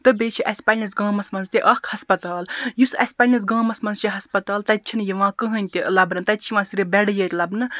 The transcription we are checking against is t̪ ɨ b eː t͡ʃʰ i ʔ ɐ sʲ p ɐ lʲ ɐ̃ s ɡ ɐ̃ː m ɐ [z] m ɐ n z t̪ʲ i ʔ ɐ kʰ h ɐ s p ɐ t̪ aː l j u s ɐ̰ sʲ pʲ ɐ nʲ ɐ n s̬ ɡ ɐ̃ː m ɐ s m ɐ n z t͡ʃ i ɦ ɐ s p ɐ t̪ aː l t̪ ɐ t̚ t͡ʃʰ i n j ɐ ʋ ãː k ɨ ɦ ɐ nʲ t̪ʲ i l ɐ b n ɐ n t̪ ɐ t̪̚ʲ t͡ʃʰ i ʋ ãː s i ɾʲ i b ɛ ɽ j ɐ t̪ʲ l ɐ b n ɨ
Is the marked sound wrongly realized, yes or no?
yes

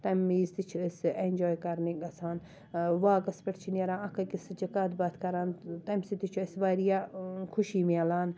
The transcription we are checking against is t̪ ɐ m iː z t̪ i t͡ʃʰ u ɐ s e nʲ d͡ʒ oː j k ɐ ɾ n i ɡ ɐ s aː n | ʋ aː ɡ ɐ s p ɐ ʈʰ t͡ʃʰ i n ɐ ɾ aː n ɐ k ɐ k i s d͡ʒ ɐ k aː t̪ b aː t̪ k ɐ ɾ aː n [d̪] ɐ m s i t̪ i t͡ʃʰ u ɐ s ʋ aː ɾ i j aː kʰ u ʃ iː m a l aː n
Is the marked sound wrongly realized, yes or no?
yes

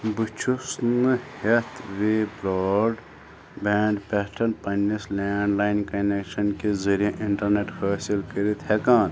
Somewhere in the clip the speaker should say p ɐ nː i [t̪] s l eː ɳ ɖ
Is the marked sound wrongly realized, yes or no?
yes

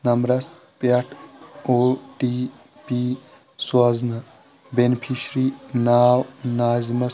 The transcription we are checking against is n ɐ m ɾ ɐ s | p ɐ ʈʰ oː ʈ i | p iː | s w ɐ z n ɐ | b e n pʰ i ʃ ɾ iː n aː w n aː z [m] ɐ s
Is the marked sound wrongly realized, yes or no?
no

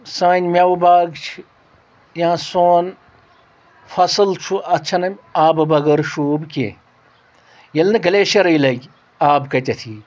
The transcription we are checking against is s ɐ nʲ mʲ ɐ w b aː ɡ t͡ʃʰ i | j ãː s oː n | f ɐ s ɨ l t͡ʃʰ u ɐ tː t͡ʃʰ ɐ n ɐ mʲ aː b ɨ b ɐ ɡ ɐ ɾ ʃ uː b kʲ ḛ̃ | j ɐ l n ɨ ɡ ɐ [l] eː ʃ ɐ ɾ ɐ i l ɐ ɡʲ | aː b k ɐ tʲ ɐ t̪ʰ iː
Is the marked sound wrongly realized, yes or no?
no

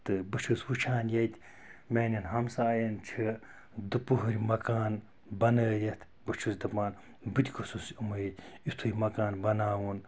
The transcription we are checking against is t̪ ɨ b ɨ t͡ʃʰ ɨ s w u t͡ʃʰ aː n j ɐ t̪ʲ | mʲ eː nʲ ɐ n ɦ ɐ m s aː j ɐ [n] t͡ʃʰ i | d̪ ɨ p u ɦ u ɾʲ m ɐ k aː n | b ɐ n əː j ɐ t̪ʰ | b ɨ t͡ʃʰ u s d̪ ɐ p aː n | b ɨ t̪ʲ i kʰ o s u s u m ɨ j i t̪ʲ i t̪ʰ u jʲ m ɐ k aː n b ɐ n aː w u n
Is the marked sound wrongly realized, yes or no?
no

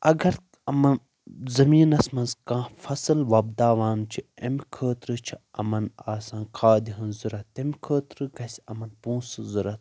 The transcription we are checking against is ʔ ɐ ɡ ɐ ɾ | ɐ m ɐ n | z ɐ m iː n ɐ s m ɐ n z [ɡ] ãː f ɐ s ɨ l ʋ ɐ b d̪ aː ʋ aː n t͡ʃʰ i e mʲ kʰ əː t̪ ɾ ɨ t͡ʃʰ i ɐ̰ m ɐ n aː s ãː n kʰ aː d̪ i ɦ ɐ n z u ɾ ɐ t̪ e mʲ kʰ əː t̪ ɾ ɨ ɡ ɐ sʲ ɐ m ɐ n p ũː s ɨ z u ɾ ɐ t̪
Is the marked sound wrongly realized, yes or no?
yes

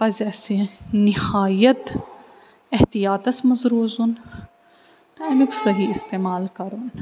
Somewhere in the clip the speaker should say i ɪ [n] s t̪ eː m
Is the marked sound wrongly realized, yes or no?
yes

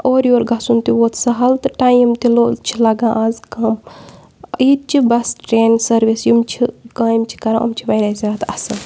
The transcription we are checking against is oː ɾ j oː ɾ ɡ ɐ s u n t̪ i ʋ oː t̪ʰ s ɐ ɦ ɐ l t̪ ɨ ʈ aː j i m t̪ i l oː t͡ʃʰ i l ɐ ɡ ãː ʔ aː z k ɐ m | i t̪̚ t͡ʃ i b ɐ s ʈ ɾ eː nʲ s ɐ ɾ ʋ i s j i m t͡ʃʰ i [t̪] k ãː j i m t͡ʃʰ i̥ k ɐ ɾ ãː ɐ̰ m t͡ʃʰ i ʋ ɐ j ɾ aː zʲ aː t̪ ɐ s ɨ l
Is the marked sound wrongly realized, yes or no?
yes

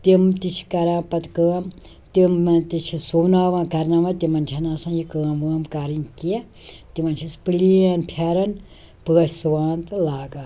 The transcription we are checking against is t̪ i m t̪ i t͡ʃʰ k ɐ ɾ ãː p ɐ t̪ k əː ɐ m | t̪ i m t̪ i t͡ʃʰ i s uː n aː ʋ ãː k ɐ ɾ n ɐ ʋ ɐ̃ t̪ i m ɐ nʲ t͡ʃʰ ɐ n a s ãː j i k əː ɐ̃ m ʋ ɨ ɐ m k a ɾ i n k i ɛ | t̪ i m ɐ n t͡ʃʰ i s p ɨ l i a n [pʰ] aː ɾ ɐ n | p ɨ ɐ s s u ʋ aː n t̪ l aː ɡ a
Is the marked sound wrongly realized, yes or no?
no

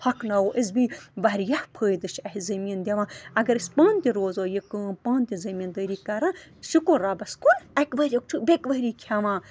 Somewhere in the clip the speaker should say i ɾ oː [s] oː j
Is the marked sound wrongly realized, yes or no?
yes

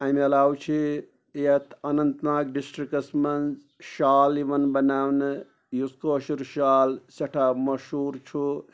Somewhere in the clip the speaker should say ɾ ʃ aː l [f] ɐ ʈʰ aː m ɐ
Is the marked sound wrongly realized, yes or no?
yes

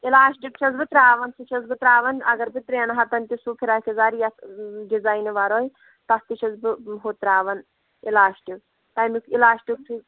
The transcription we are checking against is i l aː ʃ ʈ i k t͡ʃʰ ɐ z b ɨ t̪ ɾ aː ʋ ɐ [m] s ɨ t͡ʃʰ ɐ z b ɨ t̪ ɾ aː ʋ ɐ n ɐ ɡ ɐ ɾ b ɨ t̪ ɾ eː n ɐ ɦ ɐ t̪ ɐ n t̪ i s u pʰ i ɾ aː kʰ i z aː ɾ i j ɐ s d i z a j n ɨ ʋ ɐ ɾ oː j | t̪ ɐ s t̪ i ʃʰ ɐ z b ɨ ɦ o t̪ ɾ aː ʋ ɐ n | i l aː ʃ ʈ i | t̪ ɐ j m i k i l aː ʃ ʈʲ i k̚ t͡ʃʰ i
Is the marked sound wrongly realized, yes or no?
yes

